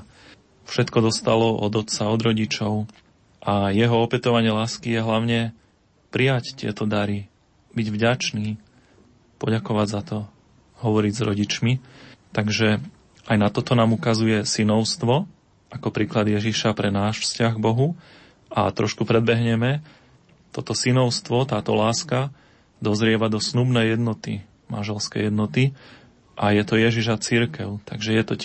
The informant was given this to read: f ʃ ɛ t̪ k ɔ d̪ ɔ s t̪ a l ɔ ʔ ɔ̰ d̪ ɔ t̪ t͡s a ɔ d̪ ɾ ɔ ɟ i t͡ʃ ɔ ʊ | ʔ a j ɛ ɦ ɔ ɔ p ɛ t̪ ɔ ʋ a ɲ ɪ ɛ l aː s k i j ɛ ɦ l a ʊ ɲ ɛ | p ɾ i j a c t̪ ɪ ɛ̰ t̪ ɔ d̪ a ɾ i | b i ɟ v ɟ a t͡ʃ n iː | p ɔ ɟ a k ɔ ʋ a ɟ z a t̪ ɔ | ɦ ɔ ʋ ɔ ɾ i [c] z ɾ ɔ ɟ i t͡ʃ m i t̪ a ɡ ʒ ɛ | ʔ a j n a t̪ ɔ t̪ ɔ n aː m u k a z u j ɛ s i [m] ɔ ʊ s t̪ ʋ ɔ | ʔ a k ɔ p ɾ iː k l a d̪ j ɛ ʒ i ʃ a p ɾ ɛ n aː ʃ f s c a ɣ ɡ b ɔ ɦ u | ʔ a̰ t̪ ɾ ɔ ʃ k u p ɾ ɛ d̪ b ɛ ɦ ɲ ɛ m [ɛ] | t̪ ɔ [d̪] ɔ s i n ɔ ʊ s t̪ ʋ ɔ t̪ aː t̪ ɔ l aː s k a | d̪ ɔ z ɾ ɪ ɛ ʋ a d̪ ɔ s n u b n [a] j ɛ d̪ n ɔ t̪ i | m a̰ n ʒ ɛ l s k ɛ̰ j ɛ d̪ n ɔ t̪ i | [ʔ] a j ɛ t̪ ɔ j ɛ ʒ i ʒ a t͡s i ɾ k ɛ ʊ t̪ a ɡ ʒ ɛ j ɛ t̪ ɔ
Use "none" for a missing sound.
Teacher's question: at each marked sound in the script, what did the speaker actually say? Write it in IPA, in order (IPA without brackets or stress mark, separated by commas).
ɟ, n, ɛ, t̪, ɛ, ʔ